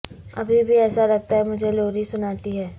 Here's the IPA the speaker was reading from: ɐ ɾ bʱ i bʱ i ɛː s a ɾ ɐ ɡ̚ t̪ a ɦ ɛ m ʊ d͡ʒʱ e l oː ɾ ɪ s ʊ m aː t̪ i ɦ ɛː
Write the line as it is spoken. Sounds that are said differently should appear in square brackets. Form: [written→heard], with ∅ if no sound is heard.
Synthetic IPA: ɐ [ɾ→∅] bʱ i bʱ i ɛː s a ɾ ɐ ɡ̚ t̪ a ɦ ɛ m ʊ d͡ʒʱ e l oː ɾ [ɪ→i] s ʊ [m→n] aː t̪ i ɦ ɛː